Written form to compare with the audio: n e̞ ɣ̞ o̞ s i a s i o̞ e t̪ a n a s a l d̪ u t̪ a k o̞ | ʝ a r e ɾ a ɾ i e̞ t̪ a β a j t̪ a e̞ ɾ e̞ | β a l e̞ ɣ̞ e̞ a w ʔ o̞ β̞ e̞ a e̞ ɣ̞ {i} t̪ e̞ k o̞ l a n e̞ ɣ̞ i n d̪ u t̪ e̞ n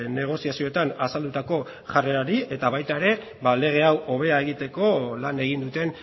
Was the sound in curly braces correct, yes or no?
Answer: yes